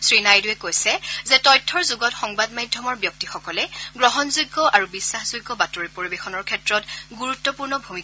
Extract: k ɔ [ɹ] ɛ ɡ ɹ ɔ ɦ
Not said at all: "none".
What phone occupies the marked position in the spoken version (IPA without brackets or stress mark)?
l